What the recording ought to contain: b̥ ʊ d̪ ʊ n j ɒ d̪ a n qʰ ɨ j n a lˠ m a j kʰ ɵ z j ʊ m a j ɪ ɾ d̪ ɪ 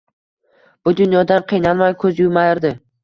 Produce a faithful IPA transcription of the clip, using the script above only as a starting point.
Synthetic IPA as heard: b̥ ʊ d̪ ʊ n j ɒ d̪ a n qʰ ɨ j n a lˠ m a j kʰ ɵ z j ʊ m a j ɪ ɾ d̪ ɪ